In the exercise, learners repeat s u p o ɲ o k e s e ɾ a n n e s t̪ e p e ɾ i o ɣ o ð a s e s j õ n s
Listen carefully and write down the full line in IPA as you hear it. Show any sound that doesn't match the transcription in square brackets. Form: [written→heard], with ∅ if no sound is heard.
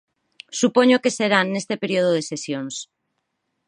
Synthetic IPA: s u p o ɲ o k e s e ɾ a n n e s t̪ e p e ɾ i o [ɣ→ð] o ð [a→e] s e s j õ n s